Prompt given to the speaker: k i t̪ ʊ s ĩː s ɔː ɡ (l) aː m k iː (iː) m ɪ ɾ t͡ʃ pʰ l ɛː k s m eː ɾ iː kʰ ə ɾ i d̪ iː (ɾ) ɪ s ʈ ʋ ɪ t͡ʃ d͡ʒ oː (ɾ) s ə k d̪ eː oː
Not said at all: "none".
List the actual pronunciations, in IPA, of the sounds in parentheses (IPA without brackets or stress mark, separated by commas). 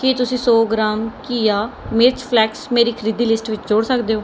ɾ, aː, l, ɽ